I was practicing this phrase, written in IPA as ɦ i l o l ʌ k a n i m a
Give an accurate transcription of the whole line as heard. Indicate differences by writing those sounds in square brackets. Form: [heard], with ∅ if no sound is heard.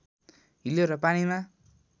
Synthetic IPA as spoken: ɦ i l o [ɾ] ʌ [p] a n i m a